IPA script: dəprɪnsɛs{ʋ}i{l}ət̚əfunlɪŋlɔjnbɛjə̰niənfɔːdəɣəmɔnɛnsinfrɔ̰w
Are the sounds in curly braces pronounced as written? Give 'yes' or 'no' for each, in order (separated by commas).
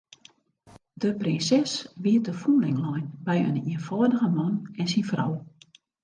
yes, no